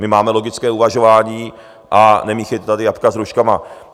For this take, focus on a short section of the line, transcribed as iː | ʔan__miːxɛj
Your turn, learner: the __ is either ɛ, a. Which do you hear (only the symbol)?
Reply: ɛ